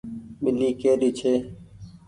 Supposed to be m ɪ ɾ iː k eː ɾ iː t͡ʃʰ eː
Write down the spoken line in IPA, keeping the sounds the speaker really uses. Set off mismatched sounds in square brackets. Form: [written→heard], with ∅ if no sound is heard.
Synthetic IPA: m ɪ [ɾ→l] iː k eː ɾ iː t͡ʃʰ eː